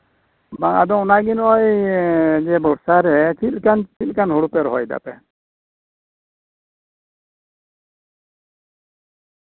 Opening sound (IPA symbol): b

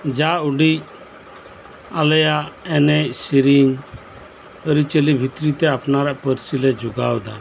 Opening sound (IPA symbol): d͡ʒ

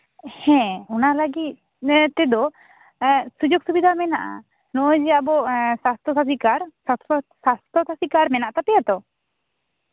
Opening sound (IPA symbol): h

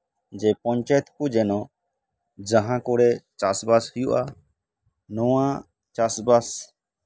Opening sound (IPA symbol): d͡ʒ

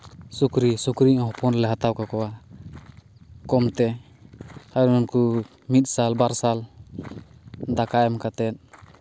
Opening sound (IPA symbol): s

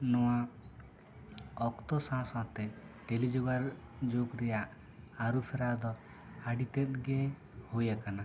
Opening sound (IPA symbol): n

